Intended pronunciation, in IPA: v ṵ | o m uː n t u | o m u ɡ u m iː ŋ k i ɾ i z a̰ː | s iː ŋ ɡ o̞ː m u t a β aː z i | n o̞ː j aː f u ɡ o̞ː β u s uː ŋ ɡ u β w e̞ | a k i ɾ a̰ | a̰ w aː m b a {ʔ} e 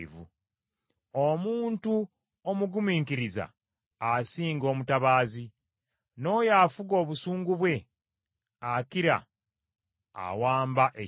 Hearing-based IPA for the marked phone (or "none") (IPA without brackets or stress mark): ʔ